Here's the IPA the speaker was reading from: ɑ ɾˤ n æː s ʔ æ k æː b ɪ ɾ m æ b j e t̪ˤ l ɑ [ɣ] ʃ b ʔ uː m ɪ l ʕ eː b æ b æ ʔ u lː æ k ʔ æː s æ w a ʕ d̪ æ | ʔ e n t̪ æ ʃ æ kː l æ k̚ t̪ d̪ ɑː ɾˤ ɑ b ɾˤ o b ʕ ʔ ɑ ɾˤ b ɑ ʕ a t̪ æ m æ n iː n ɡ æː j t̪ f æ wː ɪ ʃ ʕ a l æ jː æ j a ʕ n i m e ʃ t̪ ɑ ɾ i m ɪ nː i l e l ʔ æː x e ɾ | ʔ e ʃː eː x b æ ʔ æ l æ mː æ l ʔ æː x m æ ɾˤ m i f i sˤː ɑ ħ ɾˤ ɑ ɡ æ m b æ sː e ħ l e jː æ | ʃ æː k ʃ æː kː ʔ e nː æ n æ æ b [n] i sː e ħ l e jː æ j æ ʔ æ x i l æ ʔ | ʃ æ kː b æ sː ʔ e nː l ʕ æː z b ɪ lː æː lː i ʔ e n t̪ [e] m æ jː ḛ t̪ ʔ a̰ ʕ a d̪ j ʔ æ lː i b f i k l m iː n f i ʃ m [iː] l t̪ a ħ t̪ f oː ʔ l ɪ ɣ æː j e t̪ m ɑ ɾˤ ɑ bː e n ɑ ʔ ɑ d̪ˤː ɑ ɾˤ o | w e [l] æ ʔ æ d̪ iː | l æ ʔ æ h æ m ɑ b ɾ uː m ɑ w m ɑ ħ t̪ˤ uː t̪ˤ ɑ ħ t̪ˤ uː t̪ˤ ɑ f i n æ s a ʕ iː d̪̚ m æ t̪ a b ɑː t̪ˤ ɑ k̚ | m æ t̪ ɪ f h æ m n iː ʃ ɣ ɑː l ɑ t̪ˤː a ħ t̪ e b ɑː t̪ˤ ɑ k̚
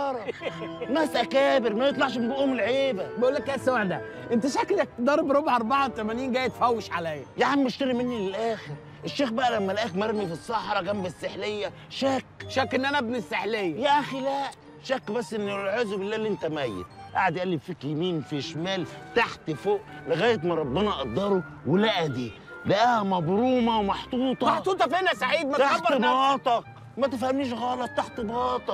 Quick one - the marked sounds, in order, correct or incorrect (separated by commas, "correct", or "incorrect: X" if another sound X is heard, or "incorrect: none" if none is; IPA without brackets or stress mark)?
incorrect: ʕ, correct, incorrect: æ, incorrect: æː, correct